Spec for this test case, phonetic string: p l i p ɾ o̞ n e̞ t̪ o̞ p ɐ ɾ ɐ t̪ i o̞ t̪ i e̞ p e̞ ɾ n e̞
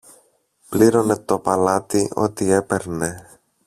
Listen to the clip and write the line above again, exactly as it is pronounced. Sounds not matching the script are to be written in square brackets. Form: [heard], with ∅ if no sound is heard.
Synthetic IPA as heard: p l i [∅] ɾ o̞ n e̞ t̪ o̞ p ɐ [l] ɐ t̪ i o̞ t̪ i e̞ p e̞ ɾ n e̞